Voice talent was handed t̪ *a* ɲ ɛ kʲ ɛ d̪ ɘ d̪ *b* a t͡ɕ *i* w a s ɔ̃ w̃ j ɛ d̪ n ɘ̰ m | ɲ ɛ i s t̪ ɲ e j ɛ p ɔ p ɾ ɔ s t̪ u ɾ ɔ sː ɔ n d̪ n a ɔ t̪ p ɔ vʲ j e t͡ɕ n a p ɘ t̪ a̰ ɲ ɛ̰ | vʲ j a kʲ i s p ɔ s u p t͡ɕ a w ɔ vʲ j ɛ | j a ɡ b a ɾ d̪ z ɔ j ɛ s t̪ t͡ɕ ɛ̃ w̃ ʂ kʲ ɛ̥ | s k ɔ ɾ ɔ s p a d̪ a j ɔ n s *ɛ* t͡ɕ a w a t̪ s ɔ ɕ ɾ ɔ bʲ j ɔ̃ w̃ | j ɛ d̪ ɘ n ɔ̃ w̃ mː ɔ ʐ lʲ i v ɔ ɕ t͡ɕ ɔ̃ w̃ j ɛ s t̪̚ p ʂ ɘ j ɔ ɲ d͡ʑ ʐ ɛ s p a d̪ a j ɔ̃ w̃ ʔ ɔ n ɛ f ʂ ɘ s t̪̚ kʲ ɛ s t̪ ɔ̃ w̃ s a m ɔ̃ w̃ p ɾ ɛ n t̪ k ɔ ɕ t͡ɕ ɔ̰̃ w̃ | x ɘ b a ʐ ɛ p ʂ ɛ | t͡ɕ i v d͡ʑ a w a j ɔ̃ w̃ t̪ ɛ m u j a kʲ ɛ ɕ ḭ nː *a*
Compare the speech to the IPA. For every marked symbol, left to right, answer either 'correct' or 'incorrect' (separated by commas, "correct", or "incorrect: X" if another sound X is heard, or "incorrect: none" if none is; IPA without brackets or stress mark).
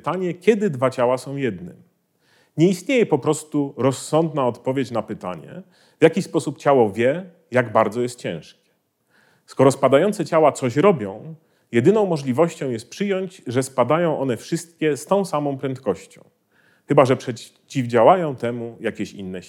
correct, incorrect: v, incorrect: a, correct, incorrect: ɛ